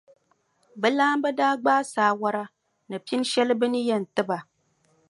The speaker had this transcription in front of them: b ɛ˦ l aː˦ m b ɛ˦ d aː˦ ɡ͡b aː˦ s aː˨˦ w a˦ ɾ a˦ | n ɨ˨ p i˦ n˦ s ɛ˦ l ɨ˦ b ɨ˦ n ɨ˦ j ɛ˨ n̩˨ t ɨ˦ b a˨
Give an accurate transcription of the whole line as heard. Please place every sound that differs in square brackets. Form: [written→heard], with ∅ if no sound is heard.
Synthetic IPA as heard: b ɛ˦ l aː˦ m b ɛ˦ d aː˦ ɡ͡b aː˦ s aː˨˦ w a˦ ɾ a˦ | n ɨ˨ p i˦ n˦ [s→ʃ] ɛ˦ l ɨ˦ b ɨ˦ n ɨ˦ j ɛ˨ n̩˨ t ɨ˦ b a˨